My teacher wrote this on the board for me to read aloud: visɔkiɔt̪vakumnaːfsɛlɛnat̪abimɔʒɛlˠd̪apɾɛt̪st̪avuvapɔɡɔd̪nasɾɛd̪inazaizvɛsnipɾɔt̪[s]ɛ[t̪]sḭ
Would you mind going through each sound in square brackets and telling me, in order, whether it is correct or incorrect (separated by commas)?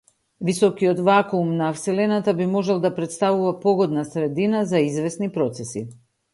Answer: correct, incorrect